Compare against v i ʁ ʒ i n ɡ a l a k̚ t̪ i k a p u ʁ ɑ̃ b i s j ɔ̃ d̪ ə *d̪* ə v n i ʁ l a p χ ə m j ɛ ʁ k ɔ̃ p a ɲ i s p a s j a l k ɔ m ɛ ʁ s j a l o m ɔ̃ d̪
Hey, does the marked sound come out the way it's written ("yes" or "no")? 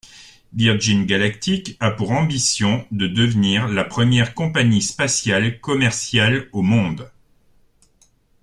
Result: yes